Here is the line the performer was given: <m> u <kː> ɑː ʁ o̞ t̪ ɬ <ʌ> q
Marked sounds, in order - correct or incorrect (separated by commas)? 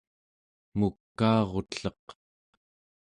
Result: correct, correct, correct